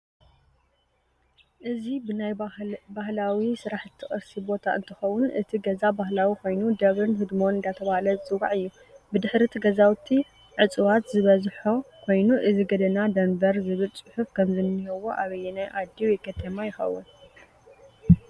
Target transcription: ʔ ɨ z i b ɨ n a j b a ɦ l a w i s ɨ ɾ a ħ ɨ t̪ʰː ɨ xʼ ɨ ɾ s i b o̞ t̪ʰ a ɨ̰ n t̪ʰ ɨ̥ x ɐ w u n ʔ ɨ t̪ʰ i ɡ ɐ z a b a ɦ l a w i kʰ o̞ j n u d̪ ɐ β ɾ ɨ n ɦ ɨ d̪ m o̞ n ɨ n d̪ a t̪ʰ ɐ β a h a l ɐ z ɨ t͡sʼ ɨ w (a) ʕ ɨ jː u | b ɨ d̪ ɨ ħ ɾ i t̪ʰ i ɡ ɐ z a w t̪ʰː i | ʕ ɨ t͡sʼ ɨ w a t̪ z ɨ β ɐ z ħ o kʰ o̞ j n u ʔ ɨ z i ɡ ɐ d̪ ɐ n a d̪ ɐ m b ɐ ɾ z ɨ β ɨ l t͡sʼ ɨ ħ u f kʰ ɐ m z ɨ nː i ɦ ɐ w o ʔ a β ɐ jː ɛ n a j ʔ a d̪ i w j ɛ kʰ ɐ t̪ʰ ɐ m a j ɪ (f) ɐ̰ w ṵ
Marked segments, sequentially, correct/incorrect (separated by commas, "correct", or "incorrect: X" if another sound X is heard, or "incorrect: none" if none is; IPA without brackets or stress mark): correct, incorrect: x